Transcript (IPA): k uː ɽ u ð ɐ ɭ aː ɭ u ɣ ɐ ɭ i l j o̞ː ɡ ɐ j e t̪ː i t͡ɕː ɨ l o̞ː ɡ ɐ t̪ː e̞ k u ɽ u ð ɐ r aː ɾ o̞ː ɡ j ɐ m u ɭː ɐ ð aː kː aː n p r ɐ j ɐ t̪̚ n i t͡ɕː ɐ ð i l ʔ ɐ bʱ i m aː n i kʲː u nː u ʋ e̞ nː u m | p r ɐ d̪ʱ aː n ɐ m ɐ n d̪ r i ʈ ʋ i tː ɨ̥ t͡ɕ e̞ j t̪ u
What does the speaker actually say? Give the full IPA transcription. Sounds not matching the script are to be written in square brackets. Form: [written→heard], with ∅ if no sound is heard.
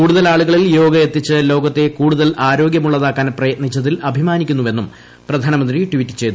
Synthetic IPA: k uː ɽ u ð ɐ [ɭ→l] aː ɭ u ɣ ɐ ɭ i l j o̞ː ɡ ɐ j e t̪ː i t͡ɕː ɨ l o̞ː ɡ ɐ t̪ː e̞ k [u→uː] ɽ u ð ɐ [r→l] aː ɾ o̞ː ɡ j ɐ m u ɭː ɐ ð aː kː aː n p r ɐ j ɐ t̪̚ n i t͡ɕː ɐ ð i l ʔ ɐ bʱ i m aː n i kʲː u nː u ʋ e̞ nː u m | p r ɐ d̪ʱ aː n ɐ m ɐ n d̪ r i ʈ ʋ i tː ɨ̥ t͡ɕ e̞ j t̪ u